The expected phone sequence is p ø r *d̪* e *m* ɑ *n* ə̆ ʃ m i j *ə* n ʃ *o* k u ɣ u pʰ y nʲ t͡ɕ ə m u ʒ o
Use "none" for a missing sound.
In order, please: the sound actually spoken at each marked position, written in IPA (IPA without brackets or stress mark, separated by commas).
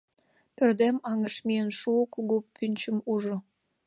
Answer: d̪, m, ŋ, ə, u